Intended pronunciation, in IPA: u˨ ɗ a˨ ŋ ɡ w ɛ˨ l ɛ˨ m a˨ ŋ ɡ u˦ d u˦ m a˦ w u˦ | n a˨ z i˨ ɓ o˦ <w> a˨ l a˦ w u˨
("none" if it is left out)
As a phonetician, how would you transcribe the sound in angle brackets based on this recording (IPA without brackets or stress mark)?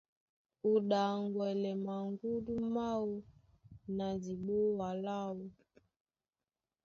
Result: w